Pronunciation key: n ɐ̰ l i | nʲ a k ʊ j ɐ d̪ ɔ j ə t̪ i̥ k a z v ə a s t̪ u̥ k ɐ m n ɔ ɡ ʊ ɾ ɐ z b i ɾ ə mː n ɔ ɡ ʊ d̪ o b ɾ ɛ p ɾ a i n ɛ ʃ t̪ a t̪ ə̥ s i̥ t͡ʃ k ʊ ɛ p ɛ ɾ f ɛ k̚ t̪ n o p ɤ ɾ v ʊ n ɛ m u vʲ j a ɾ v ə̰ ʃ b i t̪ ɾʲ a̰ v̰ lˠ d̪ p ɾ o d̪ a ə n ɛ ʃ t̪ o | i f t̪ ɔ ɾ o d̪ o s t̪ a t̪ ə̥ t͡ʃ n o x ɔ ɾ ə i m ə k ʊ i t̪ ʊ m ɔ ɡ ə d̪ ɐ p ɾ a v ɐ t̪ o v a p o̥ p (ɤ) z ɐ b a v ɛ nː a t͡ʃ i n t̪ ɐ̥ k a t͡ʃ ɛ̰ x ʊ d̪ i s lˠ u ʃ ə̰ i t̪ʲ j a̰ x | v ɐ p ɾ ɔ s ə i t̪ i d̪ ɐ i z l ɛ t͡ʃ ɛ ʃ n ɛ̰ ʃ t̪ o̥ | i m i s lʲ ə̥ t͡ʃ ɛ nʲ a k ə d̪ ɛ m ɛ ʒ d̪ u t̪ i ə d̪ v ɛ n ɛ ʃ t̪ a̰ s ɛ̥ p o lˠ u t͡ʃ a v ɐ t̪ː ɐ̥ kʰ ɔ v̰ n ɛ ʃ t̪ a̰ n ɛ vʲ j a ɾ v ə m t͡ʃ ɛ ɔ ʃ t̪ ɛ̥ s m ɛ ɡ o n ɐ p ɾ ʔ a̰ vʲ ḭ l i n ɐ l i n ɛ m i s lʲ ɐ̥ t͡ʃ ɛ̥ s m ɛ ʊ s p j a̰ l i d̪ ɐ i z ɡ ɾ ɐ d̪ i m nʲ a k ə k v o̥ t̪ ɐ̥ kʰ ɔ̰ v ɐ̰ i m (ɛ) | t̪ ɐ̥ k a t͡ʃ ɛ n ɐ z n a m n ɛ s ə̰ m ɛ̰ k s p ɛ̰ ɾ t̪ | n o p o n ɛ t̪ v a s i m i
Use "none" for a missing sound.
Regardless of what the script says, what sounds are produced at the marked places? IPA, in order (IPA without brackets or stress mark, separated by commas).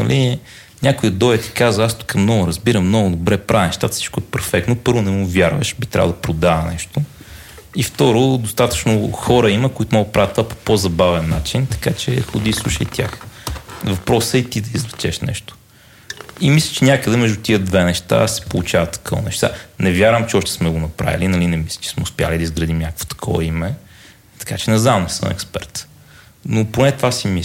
o, ɛ